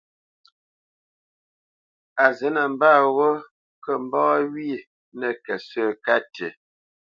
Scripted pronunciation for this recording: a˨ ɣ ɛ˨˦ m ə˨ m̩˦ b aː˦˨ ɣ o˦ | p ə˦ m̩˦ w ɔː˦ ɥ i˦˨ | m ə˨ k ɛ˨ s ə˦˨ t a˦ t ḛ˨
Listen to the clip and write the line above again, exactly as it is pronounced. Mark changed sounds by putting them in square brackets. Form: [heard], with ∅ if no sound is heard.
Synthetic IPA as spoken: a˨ [z] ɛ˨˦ [n] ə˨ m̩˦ b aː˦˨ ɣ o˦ | [k] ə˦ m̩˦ [b] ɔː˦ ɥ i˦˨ | [n] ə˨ k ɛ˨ s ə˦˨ [k] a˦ t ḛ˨